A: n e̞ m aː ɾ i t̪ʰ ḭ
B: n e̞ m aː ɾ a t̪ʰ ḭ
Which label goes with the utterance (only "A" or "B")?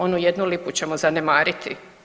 A